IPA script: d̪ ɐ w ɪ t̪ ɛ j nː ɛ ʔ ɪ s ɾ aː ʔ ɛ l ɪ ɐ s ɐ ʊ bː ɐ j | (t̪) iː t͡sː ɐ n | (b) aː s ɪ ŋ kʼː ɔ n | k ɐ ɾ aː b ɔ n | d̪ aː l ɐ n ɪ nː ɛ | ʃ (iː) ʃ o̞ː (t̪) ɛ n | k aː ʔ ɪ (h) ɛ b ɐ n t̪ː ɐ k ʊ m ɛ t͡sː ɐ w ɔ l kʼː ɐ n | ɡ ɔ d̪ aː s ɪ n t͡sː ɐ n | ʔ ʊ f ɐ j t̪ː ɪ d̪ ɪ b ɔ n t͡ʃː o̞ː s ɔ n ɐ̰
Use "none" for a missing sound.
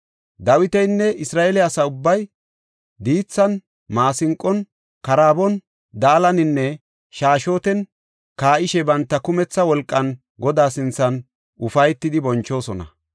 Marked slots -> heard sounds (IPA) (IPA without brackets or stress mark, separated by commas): d̪, m, aː, t̪, ʃ